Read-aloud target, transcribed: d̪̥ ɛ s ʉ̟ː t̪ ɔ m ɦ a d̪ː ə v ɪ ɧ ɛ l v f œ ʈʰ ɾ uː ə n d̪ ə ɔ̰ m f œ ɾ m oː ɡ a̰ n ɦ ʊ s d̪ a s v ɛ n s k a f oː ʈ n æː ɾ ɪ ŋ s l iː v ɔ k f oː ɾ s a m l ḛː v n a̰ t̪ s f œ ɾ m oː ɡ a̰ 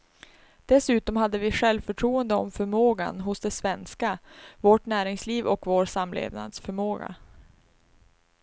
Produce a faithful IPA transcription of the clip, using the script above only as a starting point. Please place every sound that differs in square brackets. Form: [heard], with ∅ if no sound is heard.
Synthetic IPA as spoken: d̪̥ ɛ s ʉ̟ː t̪ ɔ m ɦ a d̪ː ə v ɪ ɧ ɛ l v f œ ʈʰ ɾ uː ə n d̪ ə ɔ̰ m f œ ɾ m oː ɡ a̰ n ɦ ʊ s d̪ [ɛ] s v ɛ n s k a [v] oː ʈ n æː ɾ ɪ ŋ s l iː v ɔ k [v] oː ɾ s a m l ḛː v n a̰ [d̪] s f œ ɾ m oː ɡ a̰